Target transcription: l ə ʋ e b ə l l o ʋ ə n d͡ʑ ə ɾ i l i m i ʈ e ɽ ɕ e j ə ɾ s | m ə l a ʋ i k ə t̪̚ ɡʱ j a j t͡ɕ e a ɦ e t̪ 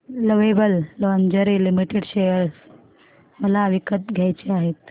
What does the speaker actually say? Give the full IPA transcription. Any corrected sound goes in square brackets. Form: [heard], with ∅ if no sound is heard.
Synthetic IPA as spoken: l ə ʋ e b ə l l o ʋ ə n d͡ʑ ə ɾ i l i m i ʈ e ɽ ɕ e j ə ɾ s | m ə l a ʋ i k ə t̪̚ ɡʱ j a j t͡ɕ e a ɦ e t̪